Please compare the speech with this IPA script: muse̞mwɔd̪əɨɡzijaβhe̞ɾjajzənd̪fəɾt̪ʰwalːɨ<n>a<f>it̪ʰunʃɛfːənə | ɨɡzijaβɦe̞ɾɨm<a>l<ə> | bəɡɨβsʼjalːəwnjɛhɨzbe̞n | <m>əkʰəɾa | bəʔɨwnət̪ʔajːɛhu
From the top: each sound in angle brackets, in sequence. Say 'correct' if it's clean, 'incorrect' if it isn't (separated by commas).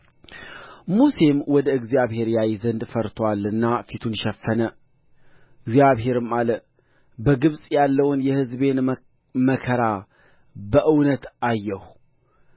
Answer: incorrect, correct, correct, correct, correct